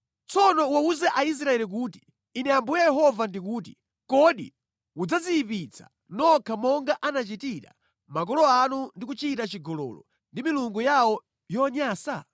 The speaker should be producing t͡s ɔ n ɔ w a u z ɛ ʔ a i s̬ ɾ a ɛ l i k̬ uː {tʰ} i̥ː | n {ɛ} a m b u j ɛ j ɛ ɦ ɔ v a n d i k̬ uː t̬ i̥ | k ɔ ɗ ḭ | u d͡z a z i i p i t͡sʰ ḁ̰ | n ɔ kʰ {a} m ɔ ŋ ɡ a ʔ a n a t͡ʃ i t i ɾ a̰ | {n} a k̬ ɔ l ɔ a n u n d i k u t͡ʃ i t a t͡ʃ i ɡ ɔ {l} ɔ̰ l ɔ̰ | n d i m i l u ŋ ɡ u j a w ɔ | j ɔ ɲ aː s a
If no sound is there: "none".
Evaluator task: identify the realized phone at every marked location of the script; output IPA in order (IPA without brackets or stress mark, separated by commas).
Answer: t, ɛ, a, m, l